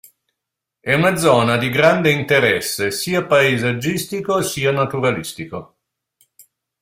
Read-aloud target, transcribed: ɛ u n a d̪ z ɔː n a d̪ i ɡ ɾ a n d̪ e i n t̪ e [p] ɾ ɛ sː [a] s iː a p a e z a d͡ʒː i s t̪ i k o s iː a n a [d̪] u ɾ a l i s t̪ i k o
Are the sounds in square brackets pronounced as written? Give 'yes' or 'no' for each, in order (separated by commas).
no, no, no